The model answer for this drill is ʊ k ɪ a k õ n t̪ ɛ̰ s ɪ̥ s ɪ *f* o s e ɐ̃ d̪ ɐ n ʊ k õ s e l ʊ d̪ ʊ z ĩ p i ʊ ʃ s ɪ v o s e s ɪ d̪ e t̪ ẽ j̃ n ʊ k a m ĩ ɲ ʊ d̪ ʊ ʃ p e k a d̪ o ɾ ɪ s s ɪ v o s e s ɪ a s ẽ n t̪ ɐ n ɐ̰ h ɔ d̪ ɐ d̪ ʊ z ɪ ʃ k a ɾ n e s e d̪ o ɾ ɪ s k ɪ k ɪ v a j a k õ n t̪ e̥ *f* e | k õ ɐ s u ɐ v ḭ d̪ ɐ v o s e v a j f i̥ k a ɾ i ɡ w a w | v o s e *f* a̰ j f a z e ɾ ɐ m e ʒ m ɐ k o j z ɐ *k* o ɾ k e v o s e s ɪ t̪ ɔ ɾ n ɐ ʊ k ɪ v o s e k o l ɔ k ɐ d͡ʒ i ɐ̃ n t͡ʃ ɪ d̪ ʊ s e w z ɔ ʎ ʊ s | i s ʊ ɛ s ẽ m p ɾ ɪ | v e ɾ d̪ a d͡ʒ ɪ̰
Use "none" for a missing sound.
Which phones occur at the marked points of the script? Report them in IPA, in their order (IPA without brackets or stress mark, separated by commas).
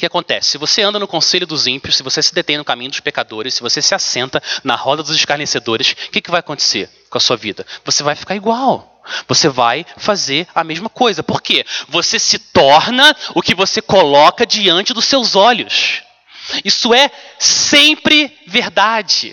v, s, v, p